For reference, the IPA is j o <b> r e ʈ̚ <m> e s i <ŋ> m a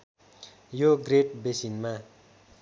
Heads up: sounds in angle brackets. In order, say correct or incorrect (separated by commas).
incorrect, incorrect, incorrect